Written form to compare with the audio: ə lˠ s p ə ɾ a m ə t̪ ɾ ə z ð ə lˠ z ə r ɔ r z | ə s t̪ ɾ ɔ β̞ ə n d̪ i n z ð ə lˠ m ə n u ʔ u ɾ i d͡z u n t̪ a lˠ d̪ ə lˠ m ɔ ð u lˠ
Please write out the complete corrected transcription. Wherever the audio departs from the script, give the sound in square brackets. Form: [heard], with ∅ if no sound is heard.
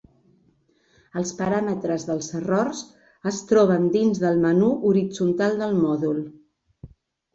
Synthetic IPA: ə lˠ s p ə ɾ a m ə t̪ ɾ ə z ð ə lˠ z ə r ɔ r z | ə s t̪ ɾ ɔ β̞ ə n d̪ i n z ð ə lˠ m ə n u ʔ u ɾ i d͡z u n t̪ a lˠ d̪ ə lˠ m ɔ ð u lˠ